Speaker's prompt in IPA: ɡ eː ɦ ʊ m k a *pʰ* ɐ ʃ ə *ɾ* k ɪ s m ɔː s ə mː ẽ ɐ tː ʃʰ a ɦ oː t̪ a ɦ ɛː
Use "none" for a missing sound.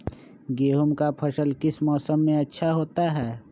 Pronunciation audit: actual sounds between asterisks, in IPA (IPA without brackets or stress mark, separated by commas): pʰ, l